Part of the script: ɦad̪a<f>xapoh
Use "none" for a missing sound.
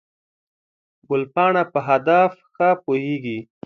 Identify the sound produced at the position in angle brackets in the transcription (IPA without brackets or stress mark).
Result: f